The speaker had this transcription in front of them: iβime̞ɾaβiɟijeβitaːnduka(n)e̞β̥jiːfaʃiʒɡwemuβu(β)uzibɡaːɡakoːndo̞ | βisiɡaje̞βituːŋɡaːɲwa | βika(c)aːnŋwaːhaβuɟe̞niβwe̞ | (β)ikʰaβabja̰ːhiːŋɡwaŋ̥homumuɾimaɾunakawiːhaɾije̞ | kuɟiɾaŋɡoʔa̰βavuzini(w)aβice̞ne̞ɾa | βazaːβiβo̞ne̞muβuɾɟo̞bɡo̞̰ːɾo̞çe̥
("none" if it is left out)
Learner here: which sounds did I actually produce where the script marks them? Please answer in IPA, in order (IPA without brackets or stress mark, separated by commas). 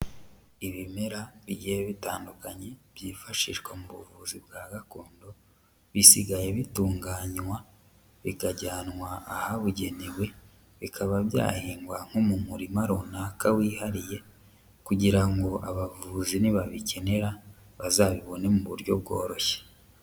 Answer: ɲ, v, ɟ, β, β